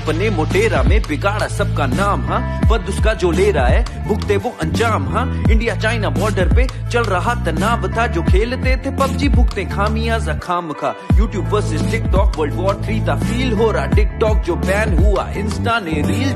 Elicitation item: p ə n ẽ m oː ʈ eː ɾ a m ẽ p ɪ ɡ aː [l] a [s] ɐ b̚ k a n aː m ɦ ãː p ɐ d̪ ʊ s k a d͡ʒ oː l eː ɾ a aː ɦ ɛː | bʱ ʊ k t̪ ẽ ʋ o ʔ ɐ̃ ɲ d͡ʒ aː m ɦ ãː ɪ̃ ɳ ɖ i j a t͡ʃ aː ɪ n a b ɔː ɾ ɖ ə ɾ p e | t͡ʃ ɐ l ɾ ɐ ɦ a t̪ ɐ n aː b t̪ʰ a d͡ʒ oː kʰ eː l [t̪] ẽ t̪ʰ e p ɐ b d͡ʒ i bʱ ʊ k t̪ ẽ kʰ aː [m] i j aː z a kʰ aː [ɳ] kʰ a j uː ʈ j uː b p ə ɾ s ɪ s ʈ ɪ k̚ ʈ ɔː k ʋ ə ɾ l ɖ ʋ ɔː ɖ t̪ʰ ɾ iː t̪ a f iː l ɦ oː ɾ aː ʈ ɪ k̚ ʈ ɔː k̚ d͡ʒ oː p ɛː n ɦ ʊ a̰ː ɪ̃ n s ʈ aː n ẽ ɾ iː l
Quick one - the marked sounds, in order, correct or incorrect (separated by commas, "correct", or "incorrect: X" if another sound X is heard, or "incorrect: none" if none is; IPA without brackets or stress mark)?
incorrect: ɽ, correct, correct, correct, incorrect: m